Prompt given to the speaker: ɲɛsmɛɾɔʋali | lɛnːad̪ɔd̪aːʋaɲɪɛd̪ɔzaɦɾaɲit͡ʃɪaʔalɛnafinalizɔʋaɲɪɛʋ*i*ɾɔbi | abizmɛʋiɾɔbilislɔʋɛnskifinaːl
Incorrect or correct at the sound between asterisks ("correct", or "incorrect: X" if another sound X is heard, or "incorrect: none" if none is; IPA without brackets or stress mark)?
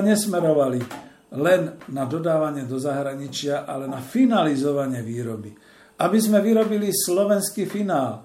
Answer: incorrect: iː